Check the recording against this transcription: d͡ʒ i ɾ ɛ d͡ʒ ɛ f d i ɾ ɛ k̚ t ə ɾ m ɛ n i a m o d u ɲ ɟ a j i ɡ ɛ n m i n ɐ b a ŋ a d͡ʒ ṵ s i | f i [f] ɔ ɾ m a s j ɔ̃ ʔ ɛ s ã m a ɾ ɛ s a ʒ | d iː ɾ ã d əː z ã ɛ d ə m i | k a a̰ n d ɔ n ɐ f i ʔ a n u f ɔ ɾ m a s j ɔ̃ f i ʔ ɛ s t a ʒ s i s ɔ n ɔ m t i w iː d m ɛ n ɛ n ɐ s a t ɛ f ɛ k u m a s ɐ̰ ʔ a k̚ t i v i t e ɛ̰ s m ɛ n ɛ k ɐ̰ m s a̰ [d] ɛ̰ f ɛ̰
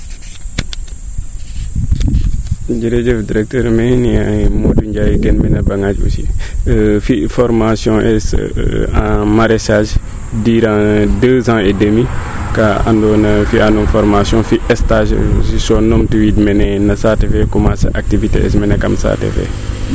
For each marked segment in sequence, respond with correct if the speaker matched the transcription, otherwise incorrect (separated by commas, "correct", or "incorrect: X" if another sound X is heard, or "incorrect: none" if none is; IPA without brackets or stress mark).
correct, incorrect: t